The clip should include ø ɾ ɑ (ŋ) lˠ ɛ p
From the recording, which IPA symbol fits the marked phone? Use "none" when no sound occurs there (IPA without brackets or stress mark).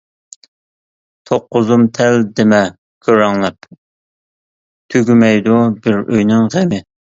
ŋ